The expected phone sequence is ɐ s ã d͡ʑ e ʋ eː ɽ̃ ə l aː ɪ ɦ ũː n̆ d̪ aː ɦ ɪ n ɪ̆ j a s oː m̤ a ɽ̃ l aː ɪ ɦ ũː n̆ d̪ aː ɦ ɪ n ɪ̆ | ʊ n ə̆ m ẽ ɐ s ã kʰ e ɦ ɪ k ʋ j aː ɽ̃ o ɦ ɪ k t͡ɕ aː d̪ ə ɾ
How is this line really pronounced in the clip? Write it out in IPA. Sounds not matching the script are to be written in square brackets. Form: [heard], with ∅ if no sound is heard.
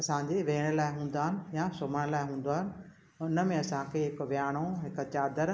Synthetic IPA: ɐ s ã d͡ʑ e ʋ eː ɽ̃ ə l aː ɪ ɦ ũː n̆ d̪ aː ɦ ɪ n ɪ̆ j a s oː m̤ [ə] ɽ̃ l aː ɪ ɦ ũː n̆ d̪ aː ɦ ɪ n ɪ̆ | ʊ n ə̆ m ẽ ɐ s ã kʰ e ɦ ɪ k ʋ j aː ɽ̃ o ɦ ɪ k t͡ɕ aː d̪ ə ɾ